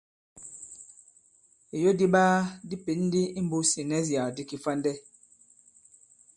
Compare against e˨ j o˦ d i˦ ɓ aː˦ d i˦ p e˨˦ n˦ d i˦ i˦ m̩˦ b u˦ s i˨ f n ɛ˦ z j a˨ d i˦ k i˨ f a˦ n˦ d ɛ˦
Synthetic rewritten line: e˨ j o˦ d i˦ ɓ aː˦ d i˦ p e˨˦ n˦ d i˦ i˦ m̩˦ b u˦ s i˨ n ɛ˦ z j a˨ d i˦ k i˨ f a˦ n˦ d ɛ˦